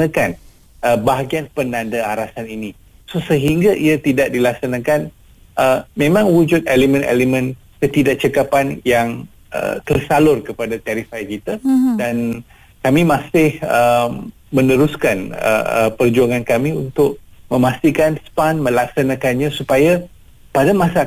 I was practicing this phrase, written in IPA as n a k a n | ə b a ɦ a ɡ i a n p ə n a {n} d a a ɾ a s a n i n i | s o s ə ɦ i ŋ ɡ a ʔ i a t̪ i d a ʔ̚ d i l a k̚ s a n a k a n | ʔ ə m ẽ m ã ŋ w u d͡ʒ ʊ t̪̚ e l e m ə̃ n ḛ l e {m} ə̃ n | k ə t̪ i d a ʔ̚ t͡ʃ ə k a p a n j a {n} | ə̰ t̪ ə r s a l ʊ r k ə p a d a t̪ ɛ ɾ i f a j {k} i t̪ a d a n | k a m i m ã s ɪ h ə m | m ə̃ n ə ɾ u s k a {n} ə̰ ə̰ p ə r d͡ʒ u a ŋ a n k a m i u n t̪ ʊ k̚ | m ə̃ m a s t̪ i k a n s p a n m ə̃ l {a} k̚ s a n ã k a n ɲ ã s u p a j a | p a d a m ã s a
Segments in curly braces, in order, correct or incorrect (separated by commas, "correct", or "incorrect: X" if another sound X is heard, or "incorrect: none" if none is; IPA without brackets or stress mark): correct, correct, incorrect: ŋ, correct, correct, correct